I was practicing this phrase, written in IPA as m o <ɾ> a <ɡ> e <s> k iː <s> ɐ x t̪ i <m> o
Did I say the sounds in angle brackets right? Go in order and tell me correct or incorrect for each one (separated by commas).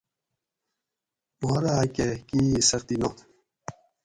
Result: correct, incorrect, incorrect, correct, incorrect